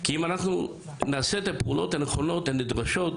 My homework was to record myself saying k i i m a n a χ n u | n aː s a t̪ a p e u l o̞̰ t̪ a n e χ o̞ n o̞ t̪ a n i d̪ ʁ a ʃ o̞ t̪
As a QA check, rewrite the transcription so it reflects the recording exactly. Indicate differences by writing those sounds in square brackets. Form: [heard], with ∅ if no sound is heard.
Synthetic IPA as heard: k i i m a n a χ n u | n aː s [e] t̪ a p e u l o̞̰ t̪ a n e χ o̞ n o̞ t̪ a n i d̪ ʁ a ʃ o̞ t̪